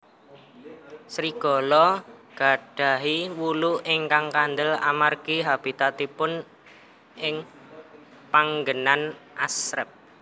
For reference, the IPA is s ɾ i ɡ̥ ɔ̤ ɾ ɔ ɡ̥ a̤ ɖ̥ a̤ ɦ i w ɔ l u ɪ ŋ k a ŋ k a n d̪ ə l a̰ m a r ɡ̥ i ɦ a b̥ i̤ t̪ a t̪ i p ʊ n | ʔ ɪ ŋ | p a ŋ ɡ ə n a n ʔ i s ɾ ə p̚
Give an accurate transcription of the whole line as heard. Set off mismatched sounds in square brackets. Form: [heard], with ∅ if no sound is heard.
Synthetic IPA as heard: s ɾ i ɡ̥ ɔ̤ [l] ɔ ɡ̥ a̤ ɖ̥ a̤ ɦ i w [u] l u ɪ ŋ k a ŋ k a n d̪ ə l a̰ m a r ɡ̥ i ɦ a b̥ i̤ t̪ a t̪ i p ʊ n | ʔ ɪ ŋ | p a ŋ ɡ ə n a n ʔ [a] s ɾ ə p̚